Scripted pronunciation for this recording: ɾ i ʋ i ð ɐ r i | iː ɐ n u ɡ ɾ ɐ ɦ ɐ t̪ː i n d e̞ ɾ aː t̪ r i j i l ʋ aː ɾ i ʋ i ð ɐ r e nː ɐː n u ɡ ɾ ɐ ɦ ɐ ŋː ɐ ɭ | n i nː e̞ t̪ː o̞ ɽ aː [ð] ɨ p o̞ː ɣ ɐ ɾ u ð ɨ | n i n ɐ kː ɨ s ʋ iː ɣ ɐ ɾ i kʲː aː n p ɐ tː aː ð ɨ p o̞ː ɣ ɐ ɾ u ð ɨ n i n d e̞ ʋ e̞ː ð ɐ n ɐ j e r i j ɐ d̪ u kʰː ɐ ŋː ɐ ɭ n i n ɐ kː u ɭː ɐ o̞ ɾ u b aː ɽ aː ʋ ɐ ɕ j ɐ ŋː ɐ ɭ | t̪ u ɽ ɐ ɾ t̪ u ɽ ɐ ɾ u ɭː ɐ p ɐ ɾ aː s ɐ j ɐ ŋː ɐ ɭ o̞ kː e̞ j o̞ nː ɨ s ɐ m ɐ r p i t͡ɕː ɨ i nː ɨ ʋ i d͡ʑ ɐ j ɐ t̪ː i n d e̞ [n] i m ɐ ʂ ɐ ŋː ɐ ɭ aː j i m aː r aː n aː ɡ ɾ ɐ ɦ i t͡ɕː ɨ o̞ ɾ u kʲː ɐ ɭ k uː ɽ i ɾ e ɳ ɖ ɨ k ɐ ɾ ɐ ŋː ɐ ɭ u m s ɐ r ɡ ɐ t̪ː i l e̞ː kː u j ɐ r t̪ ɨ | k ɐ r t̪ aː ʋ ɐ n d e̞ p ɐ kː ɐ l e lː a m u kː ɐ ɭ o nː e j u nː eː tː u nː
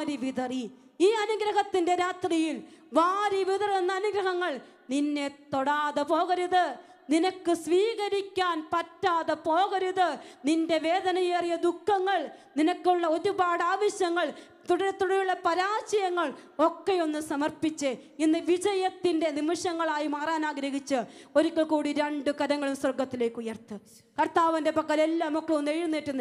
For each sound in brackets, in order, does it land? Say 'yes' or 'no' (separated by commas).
yes, yes